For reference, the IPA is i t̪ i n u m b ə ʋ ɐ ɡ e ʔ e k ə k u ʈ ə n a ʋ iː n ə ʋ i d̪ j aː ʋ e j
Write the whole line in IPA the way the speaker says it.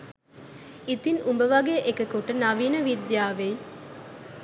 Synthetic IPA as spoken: i t̪ i n u m b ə ʋ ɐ ɡ e ʔ e k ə k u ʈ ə n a ʋ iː n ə ʋ i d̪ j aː ʋ e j

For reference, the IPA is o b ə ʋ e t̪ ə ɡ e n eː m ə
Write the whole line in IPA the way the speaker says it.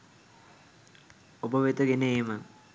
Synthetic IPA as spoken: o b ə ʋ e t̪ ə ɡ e n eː m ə

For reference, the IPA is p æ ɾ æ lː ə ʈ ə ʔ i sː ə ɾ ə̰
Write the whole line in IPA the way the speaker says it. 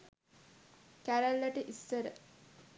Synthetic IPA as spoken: k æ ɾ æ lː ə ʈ ə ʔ i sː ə ɾ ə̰

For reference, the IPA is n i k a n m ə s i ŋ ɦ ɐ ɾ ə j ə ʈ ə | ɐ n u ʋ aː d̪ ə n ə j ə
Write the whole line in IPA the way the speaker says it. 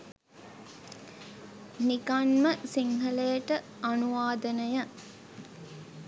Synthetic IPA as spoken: n i k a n m ə s i ŋ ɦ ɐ l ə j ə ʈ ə | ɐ n u ʋ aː d̪ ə n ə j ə

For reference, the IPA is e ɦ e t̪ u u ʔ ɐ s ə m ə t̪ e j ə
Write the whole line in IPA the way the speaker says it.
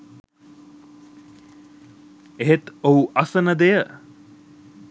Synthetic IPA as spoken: e ɦ e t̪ o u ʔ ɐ s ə n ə d̪ e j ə

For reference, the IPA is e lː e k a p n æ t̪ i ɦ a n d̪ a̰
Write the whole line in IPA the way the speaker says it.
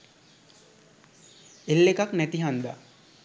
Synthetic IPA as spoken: e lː e k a k n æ t̪ i ɦ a n d̪ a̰

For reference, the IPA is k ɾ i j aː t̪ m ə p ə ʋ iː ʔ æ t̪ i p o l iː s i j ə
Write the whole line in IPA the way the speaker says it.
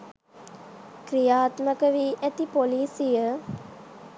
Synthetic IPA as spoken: k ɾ i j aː t̪ m ə k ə ʋ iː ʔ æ t̪ i p o l iː s i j ə

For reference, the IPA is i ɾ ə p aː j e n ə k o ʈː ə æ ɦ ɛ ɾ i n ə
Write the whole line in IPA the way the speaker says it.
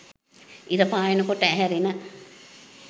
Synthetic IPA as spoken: i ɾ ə p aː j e n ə k o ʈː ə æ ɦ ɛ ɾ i n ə

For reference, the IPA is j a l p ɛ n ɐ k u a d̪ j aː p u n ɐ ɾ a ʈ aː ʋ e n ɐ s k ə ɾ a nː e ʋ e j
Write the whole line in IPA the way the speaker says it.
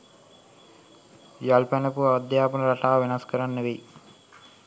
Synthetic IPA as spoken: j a l p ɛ n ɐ p u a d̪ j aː p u n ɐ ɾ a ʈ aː ʋ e n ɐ s k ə ɾ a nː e ʋ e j

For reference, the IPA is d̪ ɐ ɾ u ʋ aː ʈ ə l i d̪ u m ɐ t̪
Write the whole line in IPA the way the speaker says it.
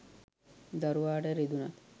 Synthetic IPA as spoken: d̪ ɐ ɾ u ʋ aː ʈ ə ɾ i d̪ u n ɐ t̪

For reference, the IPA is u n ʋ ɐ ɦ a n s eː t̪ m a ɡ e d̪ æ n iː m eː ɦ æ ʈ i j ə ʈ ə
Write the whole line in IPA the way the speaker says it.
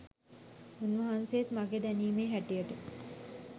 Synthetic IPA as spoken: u n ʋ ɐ ɦ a n s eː t̪ m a ɡ e d̪ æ n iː m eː ɦ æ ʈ i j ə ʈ ə

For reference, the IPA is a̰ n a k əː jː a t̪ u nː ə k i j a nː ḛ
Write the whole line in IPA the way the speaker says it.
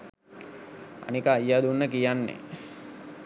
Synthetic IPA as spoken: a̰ n i k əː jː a d̪ u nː ə k i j a nː ḛ

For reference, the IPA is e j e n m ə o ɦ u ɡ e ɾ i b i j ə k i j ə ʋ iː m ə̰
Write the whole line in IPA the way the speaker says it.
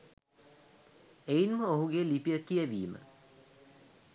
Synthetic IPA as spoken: e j i n m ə o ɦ u ɡ e l i p i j ə k i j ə ʋ iː m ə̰

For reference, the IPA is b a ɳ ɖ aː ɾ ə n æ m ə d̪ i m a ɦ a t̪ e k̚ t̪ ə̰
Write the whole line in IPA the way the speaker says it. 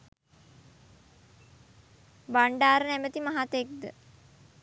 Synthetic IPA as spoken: b a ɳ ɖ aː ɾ ə n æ m ə t̪ i m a ɦ a t̪ e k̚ d̪ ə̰

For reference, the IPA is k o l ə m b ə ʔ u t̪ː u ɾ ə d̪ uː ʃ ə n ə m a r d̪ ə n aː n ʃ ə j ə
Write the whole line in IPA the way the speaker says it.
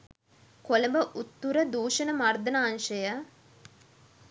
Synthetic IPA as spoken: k o l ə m b ə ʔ u t̪ː u ɾ ə d̪ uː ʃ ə n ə m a r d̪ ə n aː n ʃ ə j ə

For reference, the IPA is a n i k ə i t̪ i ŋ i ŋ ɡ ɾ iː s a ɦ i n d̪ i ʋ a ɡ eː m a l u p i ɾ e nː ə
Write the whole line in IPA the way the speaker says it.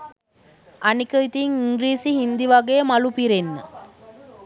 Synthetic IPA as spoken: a n i k ə i t̪ i ŋ i ŋ ɡ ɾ iː s i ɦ i n d̪ i ʋ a ɡ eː m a l u p i ɾ e nː ə

